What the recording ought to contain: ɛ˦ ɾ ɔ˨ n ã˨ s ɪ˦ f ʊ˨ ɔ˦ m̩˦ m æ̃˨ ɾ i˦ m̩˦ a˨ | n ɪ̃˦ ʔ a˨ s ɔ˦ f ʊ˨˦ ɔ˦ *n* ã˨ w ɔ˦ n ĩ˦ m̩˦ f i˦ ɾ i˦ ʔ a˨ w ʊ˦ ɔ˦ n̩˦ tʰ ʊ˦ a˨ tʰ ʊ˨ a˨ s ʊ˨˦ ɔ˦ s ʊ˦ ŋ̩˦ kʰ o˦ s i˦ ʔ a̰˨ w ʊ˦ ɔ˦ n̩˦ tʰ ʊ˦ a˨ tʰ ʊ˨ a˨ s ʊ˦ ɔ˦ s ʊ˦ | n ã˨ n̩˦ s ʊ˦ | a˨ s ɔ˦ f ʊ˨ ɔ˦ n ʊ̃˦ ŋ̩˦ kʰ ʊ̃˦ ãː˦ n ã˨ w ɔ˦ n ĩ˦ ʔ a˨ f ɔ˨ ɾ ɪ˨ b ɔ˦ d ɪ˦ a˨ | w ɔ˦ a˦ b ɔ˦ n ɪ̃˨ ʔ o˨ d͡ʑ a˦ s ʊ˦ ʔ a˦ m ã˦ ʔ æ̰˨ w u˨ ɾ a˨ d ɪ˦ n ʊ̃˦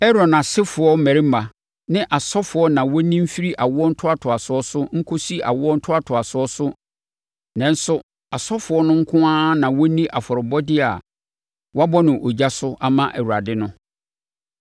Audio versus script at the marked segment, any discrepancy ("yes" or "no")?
no